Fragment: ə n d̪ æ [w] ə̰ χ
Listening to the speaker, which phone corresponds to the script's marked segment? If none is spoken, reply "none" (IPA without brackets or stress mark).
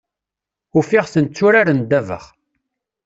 v